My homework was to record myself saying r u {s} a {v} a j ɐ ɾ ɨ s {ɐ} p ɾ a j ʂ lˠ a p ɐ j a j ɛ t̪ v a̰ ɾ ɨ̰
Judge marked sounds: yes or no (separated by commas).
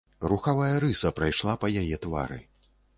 no, yes, yes